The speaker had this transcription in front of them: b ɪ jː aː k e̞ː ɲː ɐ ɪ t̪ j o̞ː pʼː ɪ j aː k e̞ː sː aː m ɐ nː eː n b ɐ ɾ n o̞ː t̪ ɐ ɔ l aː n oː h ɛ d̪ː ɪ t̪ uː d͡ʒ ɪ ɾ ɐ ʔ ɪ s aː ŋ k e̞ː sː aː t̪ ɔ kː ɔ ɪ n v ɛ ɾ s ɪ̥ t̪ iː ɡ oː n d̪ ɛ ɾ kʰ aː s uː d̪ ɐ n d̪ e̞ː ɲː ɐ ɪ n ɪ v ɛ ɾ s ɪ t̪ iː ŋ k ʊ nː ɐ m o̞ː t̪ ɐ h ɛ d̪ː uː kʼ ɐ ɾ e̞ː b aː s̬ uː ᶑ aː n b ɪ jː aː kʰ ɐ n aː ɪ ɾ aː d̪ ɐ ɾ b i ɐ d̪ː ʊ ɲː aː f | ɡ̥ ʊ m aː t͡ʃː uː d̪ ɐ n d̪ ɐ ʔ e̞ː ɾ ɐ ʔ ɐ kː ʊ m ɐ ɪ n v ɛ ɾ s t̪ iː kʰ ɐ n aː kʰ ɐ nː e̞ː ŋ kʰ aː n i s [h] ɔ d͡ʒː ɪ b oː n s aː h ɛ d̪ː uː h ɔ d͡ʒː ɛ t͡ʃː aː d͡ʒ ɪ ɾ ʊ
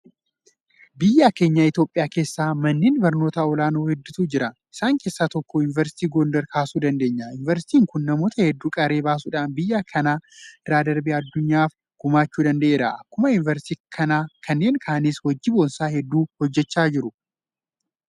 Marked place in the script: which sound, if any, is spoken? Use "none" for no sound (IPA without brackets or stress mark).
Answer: h